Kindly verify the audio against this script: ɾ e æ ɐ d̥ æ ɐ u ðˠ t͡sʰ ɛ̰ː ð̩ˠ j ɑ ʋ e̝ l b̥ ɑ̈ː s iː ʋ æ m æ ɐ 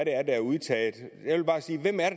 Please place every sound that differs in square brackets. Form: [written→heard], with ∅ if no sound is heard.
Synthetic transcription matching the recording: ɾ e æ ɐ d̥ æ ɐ u ðˠ t͡sʰ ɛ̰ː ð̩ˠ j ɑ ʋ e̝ l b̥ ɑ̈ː s iː ʋ [æ→e] m æ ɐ